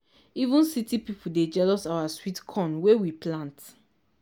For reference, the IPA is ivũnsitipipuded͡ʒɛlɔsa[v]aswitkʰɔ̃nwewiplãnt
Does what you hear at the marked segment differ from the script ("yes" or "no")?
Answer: yes